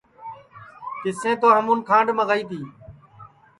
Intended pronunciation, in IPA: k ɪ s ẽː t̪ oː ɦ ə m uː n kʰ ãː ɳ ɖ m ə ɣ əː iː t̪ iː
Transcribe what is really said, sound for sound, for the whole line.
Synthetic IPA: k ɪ s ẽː t̪ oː ɦ ə m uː n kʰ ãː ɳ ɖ m ə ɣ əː iː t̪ iː